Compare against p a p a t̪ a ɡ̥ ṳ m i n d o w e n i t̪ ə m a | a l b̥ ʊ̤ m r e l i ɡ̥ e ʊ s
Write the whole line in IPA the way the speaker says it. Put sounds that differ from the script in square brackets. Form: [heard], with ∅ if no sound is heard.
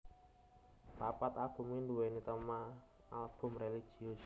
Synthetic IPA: p a p a t̪ a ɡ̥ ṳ m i n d [u] w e n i t̪ ə m a | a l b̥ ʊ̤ m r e l i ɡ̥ [i] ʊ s